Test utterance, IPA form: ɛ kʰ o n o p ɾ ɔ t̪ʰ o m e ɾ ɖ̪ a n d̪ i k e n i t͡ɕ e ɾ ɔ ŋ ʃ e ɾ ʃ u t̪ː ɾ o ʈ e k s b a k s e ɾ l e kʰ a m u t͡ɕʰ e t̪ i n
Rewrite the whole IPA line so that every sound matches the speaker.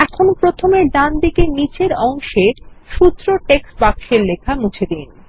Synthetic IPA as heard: ɛ kʰ o n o p ɾ o t̪ʰ o m e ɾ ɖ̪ a n d̪ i k e n i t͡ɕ e ɾ ɔ ŋ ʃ e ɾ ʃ u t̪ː ɾ o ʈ e k s b a k ʃ e ɾ l e kʰ a m u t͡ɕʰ e d̪ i n